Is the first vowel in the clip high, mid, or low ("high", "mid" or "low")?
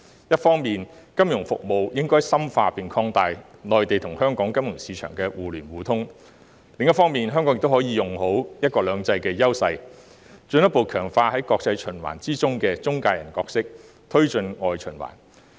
low